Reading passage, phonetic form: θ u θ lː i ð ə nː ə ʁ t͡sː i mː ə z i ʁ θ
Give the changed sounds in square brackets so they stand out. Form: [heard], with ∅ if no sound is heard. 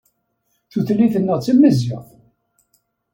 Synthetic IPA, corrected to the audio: θ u θ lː i [θ] ə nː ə ʁ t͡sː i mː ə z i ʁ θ